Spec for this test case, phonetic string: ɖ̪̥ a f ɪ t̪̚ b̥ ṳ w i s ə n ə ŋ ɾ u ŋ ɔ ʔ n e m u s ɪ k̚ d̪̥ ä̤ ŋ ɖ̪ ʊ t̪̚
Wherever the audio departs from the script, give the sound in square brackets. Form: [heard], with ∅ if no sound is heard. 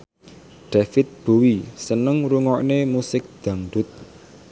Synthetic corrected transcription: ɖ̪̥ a f ɪ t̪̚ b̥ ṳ w i s ə n ə ŋ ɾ u ŋ ɔ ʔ n e m u s ɪ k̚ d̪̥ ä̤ ŋ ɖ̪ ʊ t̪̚